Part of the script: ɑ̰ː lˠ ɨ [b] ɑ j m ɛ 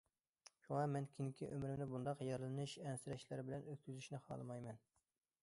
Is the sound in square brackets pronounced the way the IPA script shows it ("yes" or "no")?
no